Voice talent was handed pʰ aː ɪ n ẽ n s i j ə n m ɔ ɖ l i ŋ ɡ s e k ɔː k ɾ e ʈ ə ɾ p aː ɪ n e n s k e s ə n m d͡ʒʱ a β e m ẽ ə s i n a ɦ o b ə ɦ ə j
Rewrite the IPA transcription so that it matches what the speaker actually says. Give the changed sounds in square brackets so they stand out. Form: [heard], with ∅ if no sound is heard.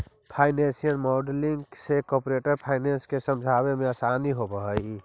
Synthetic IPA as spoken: pʰ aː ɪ n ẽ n s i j ə n m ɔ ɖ l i ŋ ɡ s e k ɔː [p] ɾ e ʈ ə ɾ [pʰ] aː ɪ n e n s k e s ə [∅] m d͡ʒʱ a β e m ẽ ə s [a] n [i] ɦ o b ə ɦ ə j